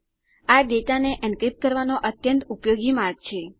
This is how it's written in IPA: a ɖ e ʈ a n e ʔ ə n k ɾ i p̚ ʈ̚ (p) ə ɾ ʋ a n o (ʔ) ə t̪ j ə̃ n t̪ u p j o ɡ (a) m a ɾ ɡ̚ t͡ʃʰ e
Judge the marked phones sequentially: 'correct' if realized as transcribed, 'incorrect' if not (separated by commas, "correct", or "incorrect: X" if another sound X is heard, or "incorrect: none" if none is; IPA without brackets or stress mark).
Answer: incorrect: k, correct, incorrect: i